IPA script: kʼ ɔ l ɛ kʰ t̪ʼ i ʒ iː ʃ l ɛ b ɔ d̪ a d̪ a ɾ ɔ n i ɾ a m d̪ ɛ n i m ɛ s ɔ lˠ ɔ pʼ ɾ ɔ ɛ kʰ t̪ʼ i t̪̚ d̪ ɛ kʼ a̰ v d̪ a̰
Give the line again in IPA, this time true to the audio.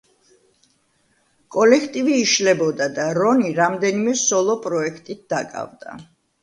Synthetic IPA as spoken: kʼ ɔ l ɛ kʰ t̪ʼ i v iː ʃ l ɛ b ɔ d̪ a d̪ a ɾ ɔ n i ɾ a m d̪ ɛ n i m ɛ s ɔ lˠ ɔ pʼ ɾ ɔ ɛ kʰ t̪ʼ i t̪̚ d̪ a kʼ a̰ v d̪ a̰